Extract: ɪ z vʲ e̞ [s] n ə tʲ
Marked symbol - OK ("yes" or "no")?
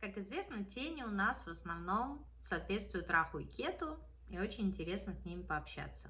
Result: yes